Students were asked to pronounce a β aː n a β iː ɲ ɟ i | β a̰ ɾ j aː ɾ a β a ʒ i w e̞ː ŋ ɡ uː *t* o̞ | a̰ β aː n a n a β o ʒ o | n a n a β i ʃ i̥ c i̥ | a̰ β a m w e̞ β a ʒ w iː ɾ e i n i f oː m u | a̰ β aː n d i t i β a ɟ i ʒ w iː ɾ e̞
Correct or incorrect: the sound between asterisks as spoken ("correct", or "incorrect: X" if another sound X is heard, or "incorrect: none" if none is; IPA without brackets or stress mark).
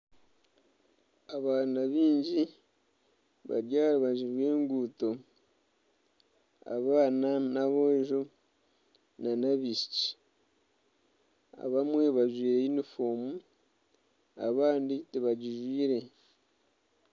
correct